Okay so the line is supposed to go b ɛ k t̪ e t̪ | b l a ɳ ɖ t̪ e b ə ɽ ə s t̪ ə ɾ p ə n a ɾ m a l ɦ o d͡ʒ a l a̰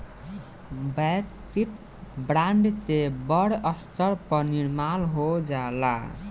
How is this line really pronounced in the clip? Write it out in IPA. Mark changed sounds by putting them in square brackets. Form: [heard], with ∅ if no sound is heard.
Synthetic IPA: b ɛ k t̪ [i] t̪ | b [ɾ] a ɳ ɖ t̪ e b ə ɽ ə s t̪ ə ɾ p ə n [i] ɾ m a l ɦ o d͡ʒ a l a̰